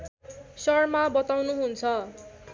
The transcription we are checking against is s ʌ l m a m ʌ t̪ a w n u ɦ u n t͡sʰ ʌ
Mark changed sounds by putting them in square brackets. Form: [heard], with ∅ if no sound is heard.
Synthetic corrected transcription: s ʌ [r] m a [b] ʌ t̪ a w n u ɦ u n t͡sʰ ʌ